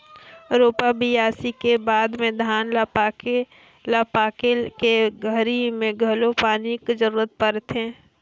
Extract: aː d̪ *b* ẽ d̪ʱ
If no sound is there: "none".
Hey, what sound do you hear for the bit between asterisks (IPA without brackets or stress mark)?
m